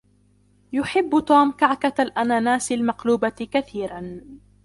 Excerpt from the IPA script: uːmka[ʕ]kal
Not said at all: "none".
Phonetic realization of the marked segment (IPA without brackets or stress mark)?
ʕ